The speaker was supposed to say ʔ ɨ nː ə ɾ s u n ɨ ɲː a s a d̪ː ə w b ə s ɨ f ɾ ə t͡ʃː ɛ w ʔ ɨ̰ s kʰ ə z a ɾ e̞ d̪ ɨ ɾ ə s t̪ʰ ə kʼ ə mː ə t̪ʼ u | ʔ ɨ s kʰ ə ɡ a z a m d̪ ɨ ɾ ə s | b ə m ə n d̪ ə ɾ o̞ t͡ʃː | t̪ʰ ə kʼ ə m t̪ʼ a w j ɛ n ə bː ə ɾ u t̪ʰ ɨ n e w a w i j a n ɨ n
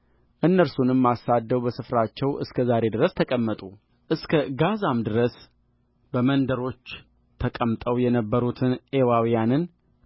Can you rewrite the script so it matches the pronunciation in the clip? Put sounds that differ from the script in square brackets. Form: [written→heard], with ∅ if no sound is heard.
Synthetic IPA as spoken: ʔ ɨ nː ə ɾ s u n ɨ [ɲː→mː] a s a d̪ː ə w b ə s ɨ f ɾ [ə→a] t͡ʃː ɛ w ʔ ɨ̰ s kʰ ə z a ɾ e̞ d̪ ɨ ɾ ə s t̪ʰ ə kʼ ə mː ə t̪ʼ u | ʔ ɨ s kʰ ə ɡ a z a m d̪ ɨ ɾ ə s | b ə m ə n d̪ ə ɾ o̞ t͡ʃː | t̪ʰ ə kʼ ə m t̪ʼ [a→ə] w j ɛ n ə bː ə ɾ u t̪ʰ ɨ n e w a w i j a n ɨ n